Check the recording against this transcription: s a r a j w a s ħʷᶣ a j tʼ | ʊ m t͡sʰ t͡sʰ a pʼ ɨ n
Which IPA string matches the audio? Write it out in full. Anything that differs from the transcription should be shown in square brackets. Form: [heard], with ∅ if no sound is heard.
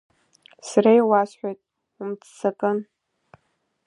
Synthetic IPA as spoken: s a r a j w a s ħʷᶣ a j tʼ | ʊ m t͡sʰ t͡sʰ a [kʼ] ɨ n